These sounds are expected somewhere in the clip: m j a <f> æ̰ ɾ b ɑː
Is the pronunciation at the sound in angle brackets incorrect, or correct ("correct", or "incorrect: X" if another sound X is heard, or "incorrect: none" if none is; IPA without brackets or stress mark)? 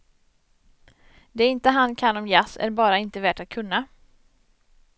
incorrect: s